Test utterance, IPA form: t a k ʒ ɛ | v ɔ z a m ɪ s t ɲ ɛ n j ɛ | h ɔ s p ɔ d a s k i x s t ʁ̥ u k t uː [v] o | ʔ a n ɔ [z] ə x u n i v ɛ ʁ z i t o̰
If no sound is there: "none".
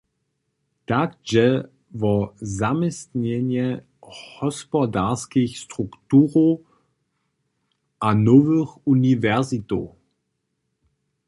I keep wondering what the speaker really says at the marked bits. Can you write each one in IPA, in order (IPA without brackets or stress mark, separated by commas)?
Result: ʁ, v